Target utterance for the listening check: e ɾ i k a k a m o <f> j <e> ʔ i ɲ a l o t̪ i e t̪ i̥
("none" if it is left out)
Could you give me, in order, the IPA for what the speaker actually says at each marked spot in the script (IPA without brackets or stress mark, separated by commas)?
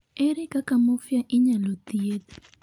f, a